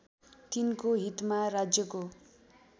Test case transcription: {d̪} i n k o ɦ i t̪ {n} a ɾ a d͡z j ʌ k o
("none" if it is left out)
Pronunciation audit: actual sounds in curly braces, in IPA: t̪, m

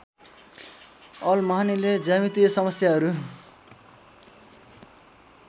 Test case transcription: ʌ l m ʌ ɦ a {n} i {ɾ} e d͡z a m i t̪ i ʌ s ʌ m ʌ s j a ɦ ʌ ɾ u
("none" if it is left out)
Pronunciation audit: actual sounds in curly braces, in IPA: n, l

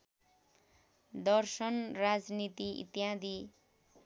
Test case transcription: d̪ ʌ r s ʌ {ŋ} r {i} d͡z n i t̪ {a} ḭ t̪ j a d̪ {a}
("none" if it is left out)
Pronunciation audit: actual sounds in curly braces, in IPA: n, a, i, i

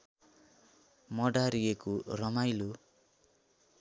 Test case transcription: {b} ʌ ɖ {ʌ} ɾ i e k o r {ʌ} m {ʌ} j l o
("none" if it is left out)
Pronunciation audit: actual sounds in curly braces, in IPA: m, a, ʌ, a

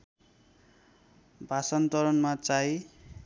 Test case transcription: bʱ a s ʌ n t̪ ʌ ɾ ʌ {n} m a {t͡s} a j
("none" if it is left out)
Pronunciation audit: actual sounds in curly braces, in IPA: n, t͡s

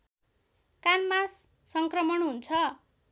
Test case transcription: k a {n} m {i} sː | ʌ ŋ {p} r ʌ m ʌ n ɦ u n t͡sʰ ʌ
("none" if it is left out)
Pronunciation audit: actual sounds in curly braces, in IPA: n, a, k

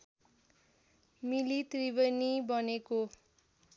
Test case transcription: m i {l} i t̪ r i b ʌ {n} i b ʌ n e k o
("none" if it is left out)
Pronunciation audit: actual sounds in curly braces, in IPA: l, n

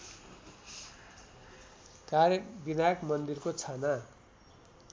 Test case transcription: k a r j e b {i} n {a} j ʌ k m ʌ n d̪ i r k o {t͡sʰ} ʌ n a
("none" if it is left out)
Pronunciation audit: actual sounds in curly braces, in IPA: i, a, t͡sʰ

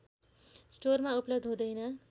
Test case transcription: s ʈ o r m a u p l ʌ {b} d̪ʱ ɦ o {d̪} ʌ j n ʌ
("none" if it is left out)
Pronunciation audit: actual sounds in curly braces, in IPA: b, d̪

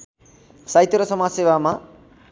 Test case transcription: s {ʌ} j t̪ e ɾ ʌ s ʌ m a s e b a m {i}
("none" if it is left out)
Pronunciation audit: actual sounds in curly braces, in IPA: a, a

